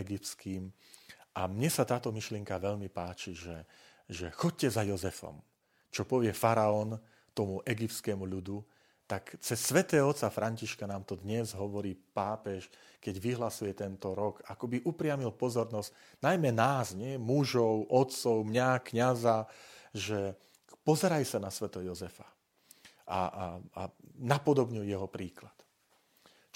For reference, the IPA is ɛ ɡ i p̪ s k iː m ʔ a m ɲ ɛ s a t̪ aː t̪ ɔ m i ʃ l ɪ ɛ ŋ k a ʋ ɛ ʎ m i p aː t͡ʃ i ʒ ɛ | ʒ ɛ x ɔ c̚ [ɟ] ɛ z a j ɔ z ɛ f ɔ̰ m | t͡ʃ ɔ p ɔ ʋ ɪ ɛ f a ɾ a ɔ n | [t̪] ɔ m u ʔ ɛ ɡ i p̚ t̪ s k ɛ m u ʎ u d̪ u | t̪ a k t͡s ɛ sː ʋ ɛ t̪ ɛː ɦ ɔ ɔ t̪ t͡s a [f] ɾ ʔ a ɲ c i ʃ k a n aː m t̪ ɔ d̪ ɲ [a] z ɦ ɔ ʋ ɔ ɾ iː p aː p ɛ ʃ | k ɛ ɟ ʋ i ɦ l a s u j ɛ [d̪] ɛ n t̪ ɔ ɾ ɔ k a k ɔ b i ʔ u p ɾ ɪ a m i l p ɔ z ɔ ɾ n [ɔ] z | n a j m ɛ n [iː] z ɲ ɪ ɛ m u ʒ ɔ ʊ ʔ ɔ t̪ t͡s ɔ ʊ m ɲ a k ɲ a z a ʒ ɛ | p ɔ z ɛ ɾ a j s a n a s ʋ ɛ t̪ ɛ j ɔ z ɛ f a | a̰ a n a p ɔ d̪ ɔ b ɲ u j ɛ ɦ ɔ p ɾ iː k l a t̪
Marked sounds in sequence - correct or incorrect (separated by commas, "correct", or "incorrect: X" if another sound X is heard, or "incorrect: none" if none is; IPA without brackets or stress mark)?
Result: incorrect: c, correct, correct, incorrect: ɛ, incorrect: t̪, correct, incorrect: aː